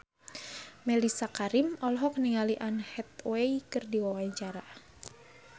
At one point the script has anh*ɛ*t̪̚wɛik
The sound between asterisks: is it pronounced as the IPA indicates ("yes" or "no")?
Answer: yes